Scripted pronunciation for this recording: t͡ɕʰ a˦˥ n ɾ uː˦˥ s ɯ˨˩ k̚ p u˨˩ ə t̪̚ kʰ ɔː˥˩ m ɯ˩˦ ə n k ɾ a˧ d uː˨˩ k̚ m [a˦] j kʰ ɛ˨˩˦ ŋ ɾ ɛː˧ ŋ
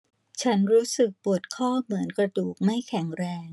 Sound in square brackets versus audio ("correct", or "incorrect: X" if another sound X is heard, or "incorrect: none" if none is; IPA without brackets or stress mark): incorrect: a˥˩